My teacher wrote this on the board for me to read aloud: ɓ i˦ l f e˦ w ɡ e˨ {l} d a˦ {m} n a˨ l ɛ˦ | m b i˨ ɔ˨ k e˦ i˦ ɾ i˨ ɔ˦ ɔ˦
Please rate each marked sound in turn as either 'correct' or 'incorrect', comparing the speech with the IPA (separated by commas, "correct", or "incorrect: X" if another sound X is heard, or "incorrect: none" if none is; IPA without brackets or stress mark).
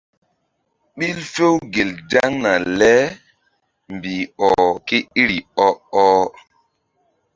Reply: correct, incorrect: ŋ